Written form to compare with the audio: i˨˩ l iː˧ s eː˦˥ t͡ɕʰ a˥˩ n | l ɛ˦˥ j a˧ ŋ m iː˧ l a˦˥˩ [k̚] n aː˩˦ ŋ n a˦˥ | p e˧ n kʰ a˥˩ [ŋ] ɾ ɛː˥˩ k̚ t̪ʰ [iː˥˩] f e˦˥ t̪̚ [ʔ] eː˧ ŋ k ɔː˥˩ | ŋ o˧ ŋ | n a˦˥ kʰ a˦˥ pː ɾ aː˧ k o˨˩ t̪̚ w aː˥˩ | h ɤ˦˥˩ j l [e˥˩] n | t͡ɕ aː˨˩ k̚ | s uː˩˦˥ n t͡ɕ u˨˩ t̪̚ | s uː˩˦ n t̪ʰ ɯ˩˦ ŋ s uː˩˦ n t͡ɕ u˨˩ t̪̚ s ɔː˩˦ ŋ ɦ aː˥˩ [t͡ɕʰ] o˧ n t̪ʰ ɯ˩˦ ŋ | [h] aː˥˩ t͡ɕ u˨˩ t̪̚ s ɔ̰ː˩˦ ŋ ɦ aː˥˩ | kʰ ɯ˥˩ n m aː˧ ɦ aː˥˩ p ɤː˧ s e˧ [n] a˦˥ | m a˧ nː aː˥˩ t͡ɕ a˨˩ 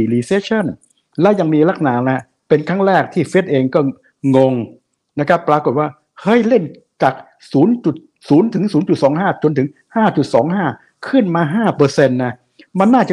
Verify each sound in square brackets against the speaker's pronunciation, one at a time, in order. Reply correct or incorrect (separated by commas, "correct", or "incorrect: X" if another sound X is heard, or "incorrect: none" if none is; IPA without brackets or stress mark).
correct, correct, correct, correct, correct, incorrect: t͡ɕ, correct, incorrect: nː